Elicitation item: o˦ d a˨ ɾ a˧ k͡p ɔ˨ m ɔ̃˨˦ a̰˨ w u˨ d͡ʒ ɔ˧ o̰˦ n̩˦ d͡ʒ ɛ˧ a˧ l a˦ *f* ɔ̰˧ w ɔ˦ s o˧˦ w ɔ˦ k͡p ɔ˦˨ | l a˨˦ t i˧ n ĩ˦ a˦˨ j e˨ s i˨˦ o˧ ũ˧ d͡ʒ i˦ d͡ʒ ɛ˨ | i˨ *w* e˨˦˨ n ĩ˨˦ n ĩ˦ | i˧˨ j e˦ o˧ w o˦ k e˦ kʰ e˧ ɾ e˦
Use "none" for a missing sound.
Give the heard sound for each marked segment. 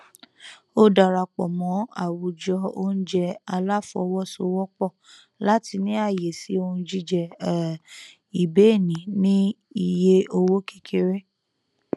f, b

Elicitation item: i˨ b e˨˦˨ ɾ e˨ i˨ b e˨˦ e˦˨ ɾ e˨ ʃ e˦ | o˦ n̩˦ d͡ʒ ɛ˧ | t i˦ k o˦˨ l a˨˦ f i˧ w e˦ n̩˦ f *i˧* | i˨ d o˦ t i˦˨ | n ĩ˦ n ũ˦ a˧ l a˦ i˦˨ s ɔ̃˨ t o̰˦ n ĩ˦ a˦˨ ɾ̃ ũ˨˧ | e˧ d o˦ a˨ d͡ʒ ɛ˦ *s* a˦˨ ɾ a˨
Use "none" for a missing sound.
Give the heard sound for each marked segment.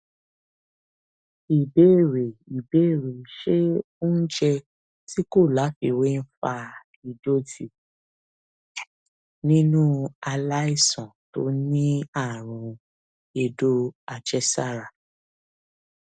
a˧, s

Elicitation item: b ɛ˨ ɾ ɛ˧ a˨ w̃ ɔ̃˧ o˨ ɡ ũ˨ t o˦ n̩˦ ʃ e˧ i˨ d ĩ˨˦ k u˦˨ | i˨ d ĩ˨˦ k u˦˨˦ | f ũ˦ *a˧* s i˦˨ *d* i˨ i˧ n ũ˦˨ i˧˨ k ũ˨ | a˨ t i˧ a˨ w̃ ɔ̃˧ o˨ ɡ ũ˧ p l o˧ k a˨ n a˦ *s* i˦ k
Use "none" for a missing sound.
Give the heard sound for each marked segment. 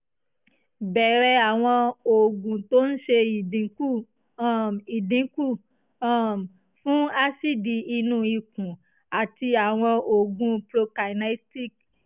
a˧, d, t

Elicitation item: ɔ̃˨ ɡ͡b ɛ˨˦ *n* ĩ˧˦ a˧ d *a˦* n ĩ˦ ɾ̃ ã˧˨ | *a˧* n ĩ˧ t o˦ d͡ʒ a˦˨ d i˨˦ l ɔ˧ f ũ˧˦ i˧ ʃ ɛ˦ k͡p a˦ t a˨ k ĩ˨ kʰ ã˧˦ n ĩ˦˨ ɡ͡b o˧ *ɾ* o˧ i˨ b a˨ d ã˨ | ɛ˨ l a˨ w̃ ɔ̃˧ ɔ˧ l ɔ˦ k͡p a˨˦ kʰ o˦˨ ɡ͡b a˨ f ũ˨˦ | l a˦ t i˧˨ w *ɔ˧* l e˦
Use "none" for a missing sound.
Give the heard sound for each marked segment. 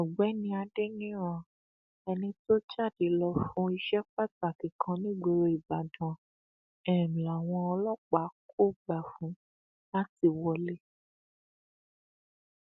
n, e˦, ɛ˧, ɾ, ɔ˧

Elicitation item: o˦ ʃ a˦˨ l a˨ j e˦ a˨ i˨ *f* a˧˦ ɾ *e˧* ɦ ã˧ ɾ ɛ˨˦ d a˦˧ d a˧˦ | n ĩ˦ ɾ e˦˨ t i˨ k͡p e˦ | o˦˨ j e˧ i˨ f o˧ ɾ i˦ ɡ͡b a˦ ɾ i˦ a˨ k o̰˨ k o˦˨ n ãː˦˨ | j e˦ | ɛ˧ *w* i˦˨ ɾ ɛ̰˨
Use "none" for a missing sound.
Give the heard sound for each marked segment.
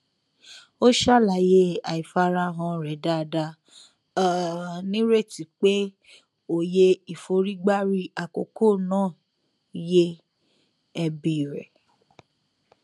f, a˧, b

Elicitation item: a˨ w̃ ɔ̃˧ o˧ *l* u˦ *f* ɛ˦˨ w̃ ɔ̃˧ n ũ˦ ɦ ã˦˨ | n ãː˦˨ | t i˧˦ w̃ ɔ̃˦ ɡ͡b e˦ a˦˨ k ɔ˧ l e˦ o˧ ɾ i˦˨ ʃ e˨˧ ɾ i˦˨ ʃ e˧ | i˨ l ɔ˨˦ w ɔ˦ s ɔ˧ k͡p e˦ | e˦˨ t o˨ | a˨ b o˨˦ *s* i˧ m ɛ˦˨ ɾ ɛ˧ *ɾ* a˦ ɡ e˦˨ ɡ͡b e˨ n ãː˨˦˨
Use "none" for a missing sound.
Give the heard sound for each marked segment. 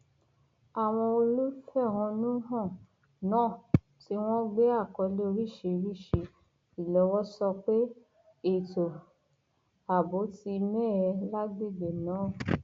l, f, t, l

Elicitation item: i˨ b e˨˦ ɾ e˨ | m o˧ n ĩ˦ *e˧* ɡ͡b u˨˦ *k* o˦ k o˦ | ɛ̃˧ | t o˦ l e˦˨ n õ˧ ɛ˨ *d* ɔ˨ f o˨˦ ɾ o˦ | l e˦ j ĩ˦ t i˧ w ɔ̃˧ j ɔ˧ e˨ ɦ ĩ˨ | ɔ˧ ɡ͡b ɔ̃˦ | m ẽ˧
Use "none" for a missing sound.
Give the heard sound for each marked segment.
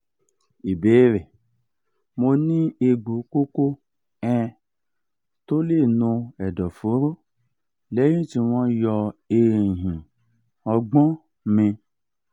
e˧, k, d

